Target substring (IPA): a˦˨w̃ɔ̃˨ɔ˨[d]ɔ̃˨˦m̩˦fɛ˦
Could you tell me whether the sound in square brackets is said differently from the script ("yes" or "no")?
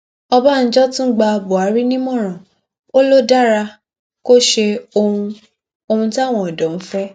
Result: no